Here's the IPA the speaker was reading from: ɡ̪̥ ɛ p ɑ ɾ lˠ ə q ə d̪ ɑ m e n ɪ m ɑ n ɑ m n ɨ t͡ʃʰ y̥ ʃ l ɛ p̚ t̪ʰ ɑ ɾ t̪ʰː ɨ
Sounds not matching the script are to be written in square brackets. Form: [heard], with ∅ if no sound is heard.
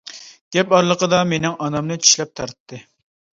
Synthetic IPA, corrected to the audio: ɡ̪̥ ɛ p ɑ ɾ lˠ ə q ə d̪ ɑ m e n ɪ [ŋ] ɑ n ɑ m n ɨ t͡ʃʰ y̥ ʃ l ɛ p̚ t̪ʰ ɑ ɾ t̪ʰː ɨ

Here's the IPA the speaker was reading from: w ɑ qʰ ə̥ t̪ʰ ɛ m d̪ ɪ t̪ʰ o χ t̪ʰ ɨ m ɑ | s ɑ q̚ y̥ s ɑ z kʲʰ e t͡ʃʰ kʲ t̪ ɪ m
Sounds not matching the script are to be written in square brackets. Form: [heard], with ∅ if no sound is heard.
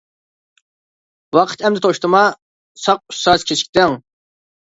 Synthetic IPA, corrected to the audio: w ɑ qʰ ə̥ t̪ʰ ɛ m d̪ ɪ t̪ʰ o [ʃ] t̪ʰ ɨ m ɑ | s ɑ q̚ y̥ s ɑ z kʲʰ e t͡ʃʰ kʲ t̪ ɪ [ŋ]

